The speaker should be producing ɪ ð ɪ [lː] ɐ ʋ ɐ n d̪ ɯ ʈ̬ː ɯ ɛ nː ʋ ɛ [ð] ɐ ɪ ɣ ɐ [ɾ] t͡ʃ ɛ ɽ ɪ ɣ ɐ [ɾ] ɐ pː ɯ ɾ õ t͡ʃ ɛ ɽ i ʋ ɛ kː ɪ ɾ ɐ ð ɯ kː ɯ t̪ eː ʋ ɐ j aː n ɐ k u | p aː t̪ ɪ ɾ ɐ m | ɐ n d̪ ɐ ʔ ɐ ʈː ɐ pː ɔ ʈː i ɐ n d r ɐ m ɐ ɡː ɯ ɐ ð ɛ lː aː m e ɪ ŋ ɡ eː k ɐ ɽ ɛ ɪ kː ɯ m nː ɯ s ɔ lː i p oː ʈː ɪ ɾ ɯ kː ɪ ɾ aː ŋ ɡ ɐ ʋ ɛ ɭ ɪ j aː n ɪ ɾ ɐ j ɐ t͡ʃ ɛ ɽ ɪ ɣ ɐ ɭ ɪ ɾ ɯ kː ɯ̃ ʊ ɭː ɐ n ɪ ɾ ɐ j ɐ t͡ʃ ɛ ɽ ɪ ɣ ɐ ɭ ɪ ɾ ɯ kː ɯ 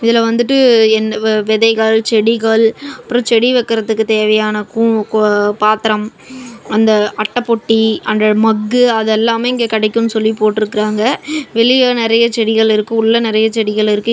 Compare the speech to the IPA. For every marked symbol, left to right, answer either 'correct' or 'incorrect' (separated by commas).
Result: incorrect, correct, incorrect, incorrect